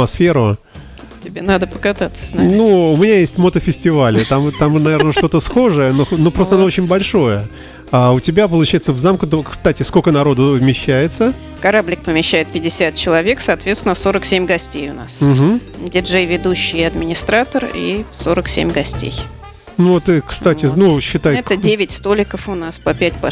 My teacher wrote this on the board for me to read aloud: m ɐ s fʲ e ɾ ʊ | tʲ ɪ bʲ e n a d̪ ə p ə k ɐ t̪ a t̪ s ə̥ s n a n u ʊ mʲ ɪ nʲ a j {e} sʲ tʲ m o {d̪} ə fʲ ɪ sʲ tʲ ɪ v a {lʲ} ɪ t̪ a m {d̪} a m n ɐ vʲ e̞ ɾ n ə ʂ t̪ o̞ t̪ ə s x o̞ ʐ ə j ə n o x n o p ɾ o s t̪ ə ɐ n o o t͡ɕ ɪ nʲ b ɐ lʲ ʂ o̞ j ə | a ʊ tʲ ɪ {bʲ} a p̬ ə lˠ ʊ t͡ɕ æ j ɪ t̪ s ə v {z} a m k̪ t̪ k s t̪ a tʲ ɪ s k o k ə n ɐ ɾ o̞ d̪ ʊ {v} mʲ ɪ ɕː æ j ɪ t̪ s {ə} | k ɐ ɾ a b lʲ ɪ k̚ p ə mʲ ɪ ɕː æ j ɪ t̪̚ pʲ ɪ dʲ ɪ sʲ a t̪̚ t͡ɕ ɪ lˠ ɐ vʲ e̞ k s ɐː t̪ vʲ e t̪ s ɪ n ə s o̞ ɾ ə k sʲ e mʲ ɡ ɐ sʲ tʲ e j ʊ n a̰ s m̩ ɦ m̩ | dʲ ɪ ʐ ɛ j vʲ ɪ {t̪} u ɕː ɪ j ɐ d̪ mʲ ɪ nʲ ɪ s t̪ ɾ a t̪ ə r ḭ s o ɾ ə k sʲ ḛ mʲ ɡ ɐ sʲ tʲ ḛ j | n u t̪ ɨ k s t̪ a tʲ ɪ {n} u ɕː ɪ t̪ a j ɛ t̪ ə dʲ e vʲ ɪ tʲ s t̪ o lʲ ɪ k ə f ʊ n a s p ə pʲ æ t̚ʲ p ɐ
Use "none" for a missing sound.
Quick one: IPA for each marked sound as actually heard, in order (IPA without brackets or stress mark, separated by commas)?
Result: e, t̪, lʲ, t̪, bʲ, z, v, ə, d̪, n